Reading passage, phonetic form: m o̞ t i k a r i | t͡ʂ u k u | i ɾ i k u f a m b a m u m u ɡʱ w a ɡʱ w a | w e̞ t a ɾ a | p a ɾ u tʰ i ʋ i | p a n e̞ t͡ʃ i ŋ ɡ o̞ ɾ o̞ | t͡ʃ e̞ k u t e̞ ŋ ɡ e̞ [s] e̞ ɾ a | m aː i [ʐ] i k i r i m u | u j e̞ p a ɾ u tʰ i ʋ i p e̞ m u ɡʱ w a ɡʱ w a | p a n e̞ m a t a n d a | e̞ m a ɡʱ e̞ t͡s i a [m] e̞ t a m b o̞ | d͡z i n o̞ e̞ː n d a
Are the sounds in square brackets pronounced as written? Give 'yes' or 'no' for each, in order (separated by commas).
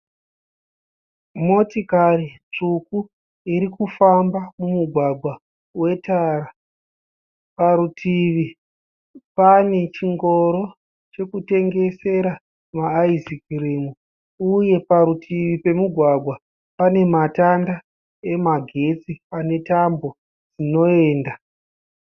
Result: yes, no, no